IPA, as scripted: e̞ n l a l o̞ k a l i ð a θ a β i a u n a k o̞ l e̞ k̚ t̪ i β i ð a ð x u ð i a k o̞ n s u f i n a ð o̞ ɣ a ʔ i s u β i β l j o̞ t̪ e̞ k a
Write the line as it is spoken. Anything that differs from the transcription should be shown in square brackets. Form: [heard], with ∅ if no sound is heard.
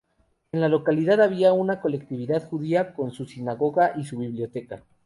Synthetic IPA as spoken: e̞ n l a l o̞ k a l i ð a [ð] a β i a u n a k o̞ l e̞ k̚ t̪ i β i ð a ð x u ð i a k o̞ n s u [s] i n a [ɣ] o̞ ɣ a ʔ i s u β i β l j o̞ t̪ e̞ k a

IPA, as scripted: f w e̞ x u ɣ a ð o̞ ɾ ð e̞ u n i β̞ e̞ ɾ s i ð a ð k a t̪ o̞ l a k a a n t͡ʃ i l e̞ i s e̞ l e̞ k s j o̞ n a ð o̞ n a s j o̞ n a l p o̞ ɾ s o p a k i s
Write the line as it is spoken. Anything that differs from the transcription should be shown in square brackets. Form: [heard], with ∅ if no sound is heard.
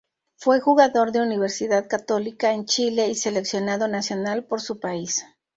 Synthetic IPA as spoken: f w e̞ x u ɣ a ð o̞ ɾ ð e̞ u n i β̞ e̞ ɾ s i ð a ð k a t̪ o̞ l [i] k a [e] n t͡ʃ i l e̞ i s e̞ l e̞ k s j o̞ n a ð o̞ n a s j o̞ n a l p o̞ ɾ s [u] p a [∅] i s

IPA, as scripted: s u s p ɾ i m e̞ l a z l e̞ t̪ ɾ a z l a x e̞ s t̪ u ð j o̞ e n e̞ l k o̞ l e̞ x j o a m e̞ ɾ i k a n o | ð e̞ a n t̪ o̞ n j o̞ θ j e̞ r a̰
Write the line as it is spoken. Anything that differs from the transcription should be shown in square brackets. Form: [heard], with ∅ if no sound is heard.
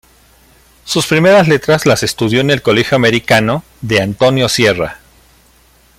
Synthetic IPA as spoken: s u s p ɾ i m e̞ [ɾ] a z l e̞ t̪ ɾ a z l a [s] e̞ s t̪ u ð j o̞ e n e̞ l k o̞ l e̞ x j o a m e̞ ɾ i k a n o | ð e̞ a n t̪ o̞ n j o̞ [s] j e̞ r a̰

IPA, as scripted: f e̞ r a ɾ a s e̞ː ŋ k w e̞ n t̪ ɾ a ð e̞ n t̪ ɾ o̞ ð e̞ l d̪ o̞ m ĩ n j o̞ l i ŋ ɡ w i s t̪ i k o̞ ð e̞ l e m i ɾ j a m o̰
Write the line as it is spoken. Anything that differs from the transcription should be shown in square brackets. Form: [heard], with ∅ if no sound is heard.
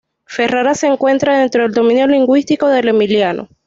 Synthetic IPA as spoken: f e̞ r a ɾ a s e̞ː ŋ k w e̞ n t̪ ɾ a ð e̞ n t̪ ɾ o̞ ð e̞ l d̪ o̞ m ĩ n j o̞ l i ŋ ɡ w i s t̪ i k o̞ ð e̞ l e m i [l] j a [n] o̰

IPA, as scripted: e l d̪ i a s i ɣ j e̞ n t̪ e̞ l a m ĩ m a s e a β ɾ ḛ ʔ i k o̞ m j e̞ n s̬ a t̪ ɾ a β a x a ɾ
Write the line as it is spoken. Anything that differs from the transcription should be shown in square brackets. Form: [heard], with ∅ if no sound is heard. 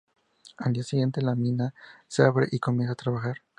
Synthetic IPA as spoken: [a] l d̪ i a s i ɣ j e̞ n t̪ e̞ l a m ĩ [n] a s e a β ɾ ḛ ʔ i k o̞ m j e̞ n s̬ a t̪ ɾ a β a x a ɾ

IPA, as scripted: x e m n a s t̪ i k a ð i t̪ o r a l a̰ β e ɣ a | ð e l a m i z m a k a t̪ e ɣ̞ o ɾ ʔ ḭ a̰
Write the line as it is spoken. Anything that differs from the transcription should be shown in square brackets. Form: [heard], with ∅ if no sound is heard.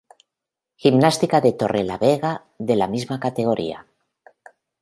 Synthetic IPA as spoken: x [i] m n a s t̪ i k a ð [e] t̪ o r [e] l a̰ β e ɣ a | ð e l a m i z m a k a t̪ e ɣ̞ o ɾ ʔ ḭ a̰

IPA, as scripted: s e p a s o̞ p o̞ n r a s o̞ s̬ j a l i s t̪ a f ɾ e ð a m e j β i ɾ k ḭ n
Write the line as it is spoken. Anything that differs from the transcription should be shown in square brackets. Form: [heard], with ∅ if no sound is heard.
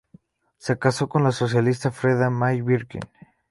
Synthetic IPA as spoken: s e [k] a s o̞ [k] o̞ n [l] a s o̞ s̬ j a l i s t̪ a f ɾ e ð a m [a] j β i ɾ k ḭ n

